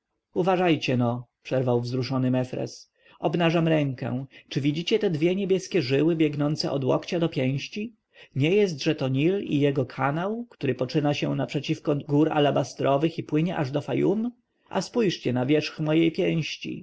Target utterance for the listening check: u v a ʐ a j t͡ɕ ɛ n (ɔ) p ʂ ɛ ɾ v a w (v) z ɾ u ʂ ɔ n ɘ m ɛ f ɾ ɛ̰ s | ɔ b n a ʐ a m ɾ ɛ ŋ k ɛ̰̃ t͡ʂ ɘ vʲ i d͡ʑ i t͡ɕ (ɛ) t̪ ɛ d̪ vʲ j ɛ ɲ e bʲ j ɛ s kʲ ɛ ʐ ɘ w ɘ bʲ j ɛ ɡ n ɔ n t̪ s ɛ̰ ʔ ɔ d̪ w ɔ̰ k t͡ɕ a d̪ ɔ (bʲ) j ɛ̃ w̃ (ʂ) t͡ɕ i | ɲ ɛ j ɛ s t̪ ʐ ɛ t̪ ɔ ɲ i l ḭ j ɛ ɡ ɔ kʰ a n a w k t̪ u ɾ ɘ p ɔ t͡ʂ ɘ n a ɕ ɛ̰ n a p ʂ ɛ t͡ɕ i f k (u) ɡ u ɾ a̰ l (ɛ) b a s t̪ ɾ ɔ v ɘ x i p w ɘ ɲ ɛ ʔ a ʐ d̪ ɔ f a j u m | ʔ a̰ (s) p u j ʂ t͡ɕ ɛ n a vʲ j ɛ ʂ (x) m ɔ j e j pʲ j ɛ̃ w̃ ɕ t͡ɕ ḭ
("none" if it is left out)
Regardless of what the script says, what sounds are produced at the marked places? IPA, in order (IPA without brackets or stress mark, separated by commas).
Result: ɔ, v, ɛ, pʲ, ɕ, ɔ, a, s, x